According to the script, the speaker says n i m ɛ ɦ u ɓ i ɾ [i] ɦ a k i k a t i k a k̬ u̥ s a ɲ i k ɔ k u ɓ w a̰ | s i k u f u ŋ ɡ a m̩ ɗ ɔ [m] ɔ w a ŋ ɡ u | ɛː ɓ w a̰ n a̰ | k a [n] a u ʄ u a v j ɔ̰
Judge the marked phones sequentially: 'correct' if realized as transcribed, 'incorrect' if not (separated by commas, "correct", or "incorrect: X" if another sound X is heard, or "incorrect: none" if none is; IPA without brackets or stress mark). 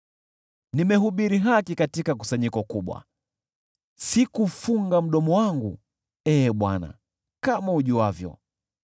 correct, correct, incorrect: m